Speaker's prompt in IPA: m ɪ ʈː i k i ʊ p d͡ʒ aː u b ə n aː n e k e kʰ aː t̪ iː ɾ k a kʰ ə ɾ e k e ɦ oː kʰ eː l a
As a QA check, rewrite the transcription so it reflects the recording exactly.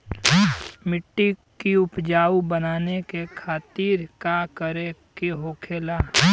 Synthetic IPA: m ɪ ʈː i k i ʊ p d͡ʒ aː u b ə n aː n e k e kʰ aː t̪ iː ɾ k a k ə ɾ e k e ɦ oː kʰ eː l a